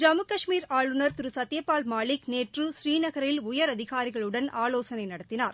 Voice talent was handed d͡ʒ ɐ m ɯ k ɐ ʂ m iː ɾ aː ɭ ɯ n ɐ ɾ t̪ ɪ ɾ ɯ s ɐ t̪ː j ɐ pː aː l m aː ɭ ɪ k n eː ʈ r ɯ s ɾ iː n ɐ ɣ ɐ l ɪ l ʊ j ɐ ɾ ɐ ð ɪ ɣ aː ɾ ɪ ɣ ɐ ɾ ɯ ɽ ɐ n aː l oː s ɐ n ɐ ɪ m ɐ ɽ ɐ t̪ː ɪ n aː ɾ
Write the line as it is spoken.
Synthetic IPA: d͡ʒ ɐ m ɯ k ɐ ʂ m iː ɾ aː ɭ ɯ n ɐ ɾ t̪ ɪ ɾ ɯ s ɐ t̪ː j ɐ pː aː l m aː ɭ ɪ k n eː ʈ r ɯ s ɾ iː n ɐ ɣ ɐ ɾ ɪ l ʊ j ɐ ɾ ɐ ð ɪ ɣ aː ɾ ɪ ɣ ɐ ɭ ɯ ɽ ɐ n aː l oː s ɐ n ɐ ɪ n ɐ ɽ ɐ t̪ː ɪ n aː ɾ